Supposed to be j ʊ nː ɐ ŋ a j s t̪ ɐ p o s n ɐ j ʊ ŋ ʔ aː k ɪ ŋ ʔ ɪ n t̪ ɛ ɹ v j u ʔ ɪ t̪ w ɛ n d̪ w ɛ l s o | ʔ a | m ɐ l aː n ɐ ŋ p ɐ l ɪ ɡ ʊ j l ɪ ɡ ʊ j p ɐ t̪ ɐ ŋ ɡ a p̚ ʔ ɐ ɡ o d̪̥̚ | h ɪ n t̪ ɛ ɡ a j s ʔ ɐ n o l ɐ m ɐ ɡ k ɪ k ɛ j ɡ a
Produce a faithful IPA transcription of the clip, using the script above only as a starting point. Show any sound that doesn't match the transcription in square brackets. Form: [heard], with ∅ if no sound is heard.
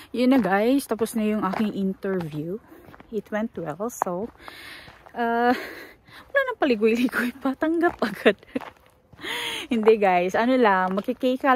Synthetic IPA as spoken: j ʊ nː ɐ [ɡ] a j s t̪ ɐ p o s n ɐ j ʊ ŋ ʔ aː k ɪ ŋ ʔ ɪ n t̪ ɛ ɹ v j u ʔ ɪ t̪ w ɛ n [t̪] w ɛ l s o | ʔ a | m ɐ l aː n ɐ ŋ p ɐ l ɪ ɡ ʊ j l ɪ ɡ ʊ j p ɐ t̪ ɐ ŋ ɡ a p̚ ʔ ɐ ɡ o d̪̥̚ | h ɪ n [d̪] ɛ ɡ a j s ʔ ɐ n o l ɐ m ɐ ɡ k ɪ k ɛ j [k] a